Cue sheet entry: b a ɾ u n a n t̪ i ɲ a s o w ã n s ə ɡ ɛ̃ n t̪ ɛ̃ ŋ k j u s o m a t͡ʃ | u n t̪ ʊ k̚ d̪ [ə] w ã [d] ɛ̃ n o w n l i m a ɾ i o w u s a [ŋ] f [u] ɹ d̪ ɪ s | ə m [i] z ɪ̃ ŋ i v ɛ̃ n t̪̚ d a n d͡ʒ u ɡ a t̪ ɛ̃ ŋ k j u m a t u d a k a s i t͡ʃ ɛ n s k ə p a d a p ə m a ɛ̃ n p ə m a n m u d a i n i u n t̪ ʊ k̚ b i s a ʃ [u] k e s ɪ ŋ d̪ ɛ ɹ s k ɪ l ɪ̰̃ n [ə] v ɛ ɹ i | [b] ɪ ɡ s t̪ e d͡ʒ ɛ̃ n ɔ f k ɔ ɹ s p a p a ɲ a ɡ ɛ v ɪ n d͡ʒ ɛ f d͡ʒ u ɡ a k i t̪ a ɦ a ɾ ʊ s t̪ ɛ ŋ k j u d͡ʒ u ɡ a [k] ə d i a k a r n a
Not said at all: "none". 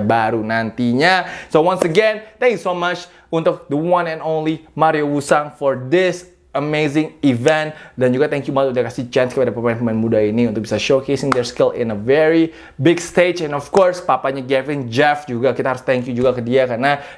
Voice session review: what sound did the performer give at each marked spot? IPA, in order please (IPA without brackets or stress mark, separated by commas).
ə, n, ŋ, ɔ, e, o, ə, b, k